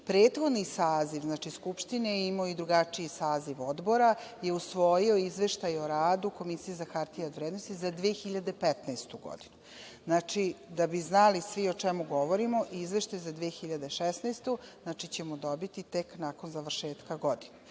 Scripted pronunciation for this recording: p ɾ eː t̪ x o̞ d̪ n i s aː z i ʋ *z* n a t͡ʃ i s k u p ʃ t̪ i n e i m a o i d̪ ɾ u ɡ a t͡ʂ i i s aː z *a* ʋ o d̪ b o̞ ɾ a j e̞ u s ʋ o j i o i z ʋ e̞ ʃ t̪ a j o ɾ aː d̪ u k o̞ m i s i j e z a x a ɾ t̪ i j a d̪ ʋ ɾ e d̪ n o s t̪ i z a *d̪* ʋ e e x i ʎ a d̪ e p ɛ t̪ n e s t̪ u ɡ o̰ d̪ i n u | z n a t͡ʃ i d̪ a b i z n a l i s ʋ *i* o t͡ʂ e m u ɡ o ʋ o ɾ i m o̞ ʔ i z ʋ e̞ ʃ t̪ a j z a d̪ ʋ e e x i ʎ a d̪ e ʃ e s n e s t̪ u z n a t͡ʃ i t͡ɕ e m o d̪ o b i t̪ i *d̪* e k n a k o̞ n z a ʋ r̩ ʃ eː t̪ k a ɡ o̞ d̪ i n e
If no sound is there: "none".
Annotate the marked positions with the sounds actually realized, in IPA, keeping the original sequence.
z, i, d̪, i, t̪

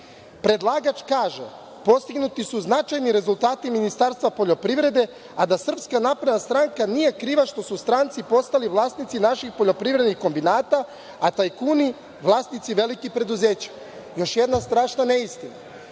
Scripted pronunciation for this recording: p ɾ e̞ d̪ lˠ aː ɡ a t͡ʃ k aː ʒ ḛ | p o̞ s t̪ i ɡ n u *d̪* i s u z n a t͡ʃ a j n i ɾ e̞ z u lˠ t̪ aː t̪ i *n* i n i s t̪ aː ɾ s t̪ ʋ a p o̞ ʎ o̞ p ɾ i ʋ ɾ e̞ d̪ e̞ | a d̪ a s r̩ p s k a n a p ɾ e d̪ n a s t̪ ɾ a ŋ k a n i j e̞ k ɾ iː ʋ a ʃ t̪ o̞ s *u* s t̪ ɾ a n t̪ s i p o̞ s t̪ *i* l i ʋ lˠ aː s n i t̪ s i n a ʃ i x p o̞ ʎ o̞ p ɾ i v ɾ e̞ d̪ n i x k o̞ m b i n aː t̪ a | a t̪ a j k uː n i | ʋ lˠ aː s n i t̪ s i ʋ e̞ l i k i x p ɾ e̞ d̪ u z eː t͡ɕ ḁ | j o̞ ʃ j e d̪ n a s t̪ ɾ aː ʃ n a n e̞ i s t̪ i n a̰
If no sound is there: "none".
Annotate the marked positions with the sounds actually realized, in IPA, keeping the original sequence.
t̪, m, u, a

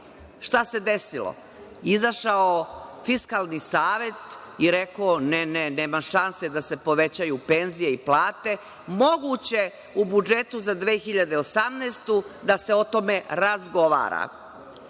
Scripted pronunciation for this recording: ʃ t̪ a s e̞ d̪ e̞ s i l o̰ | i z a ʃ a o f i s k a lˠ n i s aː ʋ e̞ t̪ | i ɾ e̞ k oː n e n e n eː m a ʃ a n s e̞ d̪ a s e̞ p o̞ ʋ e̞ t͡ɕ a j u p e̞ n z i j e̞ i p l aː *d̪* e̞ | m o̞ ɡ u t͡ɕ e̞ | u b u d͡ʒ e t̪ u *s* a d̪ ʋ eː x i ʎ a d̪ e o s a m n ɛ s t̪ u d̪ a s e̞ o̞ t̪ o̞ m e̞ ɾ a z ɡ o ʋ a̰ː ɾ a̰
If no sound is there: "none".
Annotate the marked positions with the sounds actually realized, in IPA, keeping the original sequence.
t̪, z

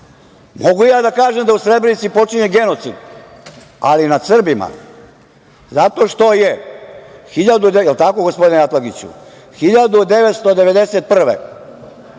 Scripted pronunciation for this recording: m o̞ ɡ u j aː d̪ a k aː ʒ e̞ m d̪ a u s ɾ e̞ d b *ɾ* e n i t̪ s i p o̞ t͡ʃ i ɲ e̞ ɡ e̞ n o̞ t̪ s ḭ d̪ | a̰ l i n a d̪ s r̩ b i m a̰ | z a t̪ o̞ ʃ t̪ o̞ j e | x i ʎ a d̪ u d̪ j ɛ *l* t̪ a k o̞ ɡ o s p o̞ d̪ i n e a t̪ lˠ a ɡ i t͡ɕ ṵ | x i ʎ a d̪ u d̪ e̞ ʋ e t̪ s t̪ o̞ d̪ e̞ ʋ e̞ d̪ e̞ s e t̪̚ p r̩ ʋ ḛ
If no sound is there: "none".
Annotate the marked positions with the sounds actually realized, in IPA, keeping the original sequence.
ɾ, l

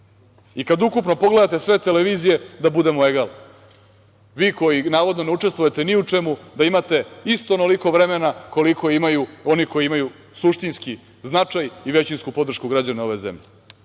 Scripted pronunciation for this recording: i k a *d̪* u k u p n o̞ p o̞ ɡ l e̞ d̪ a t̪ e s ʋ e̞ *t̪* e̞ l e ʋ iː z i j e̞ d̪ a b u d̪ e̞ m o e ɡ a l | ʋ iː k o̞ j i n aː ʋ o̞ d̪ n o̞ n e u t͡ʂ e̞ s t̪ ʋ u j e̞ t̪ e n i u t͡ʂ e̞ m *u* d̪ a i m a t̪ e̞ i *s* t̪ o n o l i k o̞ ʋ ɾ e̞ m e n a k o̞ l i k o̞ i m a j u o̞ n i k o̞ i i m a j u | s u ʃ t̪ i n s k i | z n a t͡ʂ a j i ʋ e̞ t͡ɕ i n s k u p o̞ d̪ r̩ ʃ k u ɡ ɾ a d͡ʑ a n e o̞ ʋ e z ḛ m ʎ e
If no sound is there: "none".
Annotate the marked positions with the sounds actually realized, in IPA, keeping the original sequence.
d̪, t̪, u, s

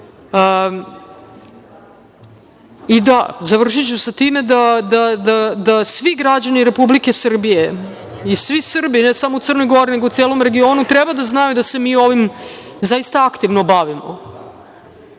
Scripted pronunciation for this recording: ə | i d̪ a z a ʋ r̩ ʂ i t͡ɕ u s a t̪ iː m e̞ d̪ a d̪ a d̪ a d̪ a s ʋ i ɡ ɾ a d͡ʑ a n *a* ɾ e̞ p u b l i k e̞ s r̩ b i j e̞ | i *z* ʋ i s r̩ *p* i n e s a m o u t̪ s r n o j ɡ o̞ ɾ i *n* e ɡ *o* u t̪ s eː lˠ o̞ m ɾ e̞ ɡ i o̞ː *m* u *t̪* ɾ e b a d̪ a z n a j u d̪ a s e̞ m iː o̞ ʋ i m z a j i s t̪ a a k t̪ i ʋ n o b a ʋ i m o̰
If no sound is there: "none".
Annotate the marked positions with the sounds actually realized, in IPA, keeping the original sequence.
i, s, b, n, o, n, t̪

